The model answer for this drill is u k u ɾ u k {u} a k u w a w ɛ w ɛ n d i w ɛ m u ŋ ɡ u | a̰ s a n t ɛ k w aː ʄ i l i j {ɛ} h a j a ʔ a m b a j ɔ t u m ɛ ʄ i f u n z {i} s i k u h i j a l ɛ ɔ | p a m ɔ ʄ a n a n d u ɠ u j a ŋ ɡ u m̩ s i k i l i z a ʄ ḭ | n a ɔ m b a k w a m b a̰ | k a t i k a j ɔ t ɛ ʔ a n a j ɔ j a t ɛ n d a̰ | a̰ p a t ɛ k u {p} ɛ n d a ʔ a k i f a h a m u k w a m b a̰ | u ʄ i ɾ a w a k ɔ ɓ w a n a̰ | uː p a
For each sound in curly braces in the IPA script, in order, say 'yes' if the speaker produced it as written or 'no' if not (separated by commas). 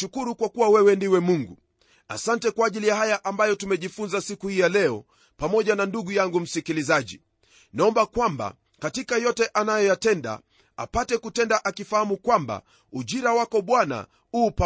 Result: no, no, no, no